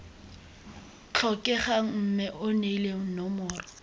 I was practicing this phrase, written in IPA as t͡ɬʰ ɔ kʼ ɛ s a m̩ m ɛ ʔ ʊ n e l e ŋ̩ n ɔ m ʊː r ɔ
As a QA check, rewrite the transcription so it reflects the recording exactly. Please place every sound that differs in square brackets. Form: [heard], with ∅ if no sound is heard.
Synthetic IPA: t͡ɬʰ ɔ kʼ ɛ [χ] a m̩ m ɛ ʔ ʊ n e l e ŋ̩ n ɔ m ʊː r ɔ